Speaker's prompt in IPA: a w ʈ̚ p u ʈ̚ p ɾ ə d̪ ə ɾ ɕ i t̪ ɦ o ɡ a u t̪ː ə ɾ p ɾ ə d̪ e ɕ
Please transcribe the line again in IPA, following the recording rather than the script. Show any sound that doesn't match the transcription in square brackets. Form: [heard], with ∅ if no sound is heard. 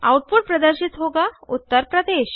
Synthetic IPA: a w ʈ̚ p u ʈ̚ p ɾ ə d̪ ə ɾ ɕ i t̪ ɦ o ɡ a u t̪ː ə ɾ p ɾ ə d̪ e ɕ